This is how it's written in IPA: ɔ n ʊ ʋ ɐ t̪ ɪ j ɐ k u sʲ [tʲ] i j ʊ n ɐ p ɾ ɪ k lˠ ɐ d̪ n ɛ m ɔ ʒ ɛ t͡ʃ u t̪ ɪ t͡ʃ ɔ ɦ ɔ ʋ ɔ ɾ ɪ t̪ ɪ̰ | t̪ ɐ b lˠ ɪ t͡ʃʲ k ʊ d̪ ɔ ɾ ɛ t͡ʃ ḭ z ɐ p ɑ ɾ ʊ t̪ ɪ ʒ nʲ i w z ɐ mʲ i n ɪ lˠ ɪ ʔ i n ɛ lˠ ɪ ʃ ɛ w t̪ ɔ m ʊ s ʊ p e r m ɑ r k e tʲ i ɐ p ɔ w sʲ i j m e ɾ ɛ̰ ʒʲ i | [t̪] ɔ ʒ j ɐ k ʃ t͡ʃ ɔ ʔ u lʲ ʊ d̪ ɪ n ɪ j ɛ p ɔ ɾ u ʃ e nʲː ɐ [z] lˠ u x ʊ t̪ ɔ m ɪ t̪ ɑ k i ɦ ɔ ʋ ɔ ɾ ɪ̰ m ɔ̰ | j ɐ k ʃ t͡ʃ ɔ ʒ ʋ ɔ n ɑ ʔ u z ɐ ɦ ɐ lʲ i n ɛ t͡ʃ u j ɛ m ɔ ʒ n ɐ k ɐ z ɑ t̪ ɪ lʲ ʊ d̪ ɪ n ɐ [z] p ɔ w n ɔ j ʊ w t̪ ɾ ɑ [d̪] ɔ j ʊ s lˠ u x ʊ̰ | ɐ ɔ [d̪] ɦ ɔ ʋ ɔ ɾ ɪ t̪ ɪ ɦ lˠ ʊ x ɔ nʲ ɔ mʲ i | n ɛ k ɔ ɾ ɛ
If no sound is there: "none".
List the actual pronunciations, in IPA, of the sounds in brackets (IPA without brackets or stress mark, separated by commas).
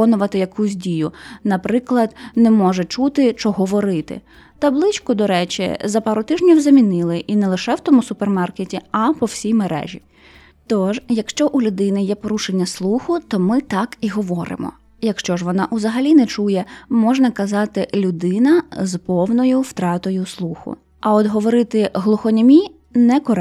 dʲ, t̪, s, z, t̪, d̪